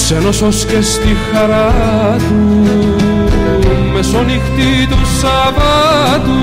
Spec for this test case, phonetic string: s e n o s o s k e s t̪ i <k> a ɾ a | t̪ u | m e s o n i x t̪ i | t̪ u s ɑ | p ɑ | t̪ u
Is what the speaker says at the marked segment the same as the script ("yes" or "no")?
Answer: no